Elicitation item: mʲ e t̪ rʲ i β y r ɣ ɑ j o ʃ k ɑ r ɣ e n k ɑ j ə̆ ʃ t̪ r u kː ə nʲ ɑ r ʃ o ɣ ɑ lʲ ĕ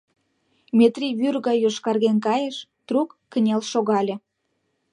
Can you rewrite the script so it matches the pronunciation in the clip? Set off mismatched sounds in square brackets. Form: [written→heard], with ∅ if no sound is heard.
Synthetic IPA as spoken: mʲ e t̪ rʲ i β y r ɣ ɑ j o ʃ k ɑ r ɣ e n k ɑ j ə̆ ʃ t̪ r u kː ə nʲ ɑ [r→l] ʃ o ɣ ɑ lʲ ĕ